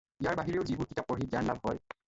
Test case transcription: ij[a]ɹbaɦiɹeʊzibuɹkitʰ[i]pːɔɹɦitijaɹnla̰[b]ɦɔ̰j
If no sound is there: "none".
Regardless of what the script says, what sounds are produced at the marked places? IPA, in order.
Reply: a, a, b

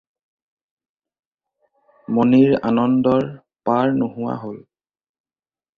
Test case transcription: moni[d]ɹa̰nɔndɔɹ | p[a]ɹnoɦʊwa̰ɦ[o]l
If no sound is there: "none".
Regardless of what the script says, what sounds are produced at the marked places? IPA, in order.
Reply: none, a, o

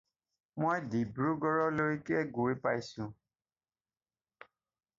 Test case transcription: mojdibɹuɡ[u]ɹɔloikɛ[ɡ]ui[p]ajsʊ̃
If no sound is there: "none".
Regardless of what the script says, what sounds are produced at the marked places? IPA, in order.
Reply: ɔ, ɡ, p

